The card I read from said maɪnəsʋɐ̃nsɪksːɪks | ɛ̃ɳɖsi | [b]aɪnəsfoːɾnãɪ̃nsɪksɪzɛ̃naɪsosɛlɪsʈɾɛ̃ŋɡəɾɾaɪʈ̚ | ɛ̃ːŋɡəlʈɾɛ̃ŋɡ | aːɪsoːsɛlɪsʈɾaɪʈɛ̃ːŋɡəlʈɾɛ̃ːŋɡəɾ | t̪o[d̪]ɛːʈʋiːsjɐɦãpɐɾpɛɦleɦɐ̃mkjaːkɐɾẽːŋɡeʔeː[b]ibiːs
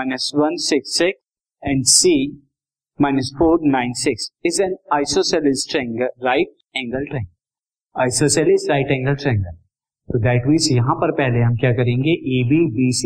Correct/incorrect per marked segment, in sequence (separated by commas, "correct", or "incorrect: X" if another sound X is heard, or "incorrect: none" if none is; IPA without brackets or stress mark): incorrect: m, correct, correct